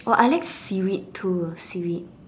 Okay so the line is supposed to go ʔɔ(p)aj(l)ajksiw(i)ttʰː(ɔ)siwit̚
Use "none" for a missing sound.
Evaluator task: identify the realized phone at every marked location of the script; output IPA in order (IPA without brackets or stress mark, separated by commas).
ʔ, l, i, u